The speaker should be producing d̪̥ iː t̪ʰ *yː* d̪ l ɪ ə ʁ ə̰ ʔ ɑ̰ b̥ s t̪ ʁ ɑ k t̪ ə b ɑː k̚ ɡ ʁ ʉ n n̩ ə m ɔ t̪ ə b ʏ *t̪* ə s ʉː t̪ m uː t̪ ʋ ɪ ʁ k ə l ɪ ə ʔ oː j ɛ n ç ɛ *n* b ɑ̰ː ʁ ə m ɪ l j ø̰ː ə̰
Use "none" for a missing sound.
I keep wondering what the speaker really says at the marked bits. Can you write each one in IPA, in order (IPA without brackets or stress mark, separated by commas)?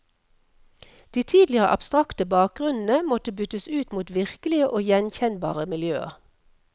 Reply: iː, t̪, n